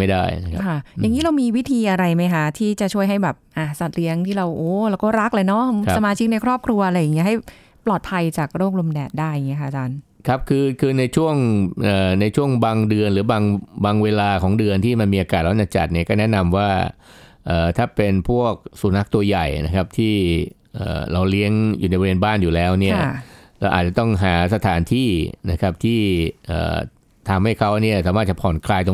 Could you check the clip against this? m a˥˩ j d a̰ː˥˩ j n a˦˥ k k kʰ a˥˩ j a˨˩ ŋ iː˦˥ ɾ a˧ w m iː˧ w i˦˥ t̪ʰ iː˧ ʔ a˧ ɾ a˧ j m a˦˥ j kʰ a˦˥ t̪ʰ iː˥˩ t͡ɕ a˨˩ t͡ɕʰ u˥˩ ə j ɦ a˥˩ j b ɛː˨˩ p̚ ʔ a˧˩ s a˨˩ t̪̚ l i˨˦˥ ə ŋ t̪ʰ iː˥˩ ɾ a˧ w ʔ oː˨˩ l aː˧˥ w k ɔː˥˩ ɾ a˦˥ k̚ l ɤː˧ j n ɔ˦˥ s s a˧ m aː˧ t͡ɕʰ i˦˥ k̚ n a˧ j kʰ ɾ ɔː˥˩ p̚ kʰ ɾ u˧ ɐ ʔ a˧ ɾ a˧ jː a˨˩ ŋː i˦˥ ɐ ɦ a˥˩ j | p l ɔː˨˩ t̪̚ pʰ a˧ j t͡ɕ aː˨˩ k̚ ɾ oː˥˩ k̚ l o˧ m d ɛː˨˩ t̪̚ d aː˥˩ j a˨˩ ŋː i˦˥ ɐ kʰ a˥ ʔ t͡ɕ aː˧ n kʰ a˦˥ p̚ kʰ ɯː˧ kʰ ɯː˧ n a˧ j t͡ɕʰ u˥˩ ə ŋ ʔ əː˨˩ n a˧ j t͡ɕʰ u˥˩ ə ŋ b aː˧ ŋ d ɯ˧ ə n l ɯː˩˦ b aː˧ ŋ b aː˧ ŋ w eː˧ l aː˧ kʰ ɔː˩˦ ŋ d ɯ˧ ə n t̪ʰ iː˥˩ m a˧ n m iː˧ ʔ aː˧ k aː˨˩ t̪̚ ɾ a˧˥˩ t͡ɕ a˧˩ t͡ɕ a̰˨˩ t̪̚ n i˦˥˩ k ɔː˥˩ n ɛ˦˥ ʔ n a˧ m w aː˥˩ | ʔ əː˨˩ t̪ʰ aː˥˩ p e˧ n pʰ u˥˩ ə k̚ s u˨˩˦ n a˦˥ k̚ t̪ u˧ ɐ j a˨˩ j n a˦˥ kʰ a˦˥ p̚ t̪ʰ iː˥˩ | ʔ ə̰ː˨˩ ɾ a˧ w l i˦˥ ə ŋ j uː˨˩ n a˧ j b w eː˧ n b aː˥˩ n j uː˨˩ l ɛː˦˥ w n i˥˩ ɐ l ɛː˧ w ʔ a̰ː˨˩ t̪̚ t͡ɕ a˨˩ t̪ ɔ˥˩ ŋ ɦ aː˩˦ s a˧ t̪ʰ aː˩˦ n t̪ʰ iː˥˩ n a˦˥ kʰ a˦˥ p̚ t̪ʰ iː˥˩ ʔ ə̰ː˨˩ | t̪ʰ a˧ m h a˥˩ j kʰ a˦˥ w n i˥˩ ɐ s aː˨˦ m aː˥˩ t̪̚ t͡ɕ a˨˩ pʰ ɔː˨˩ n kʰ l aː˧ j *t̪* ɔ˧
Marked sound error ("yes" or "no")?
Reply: no